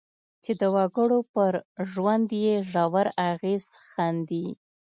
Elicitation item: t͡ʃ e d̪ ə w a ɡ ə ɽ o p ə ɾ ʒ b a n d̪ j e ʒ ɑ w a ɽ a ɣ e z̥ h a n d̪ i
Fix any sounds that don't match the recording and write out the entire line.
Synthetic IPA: t͡ʃ e d̪ ə w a ɡ ə ɽ o p ə ɾ ʒ w a n d̪ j e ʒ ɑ w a ɾ a ɣ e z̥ x a n d̪ i